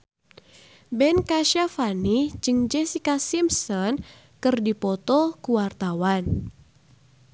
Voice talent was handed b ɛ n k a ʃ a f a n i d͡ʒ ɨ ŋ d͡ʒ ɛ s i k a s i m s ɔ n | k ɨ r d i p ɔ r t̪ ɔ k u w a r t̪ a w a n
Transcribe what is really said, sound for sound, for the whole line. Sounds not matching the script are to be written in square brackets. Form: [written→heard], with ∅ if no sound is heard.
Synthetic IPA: b ɛ n k a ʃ a f a n i d͡ʒ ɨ ŋ d͡ʒ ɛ s i k a s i m s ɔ n | k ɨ r d i p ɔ [r→∅] t̪ ɔ k u w a r t̪ a w a n